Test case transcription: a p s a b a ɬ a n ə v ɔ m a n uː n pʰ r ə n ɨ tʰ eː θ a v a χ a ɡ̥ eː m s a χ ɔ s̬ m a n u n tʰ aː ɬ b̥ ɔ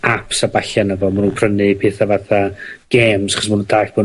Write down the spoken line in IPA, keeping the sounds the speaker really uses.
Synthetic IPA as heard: a p s a b a ɬ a n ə v ɔ m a n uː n pʰ r ə n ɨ pʰ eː θ a v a θ a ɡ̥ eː m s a χ ɔ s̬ m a n u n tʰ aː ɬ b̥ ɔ